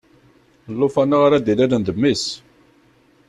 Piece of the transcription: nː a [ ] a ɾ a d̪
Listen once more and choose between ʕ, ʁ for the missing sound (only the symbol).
ʁ